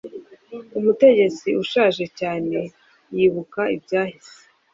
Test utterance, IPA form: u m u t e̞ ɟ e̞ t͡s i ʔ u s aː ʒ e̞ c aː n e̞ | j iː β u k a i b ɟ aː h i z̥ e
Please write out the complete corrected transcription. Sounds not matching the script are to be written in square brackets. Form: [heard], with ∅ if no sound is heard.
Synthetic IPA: u m u t e̞ ɟ e̞ t͡s i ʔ u [ʃ] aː ʒ e̞ c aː n e̞ | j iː β u k a i b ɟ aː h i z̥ e